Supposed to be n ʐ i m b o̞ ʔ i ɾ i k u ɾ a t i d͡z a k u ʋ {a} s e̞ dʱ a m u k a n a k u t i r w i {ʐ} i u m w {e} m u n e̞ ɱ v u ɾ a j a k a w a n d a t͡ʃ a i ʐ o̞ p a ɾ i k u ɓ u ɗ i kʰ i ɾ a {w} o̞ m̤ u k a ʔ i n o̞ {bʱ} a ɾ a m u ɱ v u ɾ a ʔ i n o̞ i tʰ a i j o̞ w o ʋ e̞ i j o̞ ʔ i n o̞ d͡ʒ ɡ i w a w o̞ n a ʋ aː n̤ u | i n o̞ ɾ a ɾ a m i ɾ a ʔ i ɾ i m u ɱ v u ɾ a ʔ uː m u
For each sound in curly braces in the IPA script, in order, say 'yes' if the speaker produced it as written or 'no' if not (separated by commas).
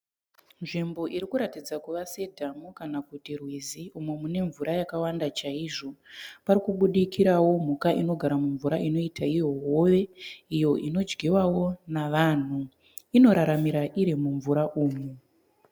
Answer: yes, no, yes, yes, no